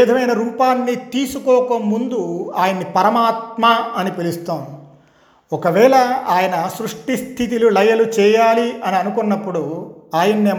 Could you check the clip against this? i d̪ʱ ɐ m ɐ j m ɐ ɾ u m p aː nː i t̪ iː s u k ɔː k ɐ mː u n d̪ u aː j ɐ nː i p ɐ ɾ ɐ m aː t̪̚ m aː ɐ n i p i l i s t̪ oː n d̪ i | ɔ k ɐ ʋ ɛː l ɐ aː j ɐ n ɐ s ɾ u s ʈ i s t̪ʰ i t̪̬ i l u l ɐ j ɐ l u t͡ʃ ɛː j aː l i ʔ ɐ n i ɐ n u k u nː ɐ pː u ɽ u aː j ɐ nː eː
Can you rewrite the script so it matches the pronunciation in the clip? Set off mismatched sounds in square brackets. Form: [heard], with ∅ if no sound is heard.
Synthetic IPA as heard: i d̪ʱ ɐ m ɐ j [n] ɐ ɾ u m p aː nː i t̪ iː s u k ɔː k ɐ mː u n d̪ u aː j ɐ nː i p ɐ ɾ ɐ m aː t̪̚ m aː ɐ n i p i l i s t̪ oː n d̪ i | ɔ k ɐ ʋ ɛː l ɐ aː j ɐ n ɐ s ɾ u [ʂ] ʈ i s t̪ʰ i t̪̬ i l u l ɐ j ɐ l u t͡ʃ ɛː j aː l i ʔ ɐ n i ɐ n u k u nː ɐ pː u ɽ u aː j ɐ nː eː